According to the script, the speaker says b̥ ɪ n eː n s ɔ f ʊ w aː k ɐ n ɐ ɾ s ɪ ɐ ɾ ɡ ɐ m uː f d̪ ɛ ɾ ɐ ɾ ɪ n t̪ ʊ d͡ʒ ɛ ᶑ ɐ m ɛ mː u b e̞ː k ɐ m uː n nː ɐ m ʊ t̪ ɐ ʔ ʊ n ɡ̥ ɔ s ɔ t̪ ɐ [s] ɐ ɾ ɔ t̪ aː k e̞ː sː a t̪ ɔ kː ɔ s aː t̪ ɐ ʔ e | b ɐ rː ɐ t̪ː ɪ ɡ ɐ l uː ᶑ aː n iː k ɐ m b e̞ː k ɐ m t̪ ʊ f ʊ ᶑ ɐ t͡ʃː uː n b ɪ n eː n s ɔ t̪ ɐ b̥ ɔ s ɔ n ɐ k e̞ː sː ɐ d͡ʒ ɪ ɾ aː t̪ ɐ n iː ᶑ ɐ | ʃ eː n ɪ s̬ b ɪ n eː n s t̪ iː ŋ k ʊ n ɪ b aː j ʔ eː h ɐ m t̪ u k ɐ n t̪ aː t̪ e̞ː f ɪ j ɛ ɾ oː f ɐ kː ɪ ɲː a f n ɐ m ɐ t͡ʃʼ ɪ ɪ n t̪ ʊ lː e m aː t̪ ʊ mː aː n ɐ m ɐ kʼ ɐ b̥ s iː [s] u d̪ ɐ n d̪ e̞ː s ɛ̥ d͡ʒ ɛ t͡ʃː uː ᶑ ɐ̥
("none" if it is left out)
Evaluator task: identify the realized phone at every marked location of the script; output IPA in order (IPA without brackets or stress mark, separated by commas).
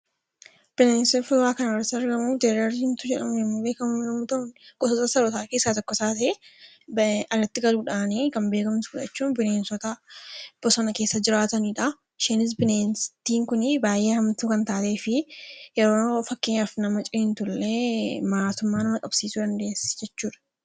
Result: s, s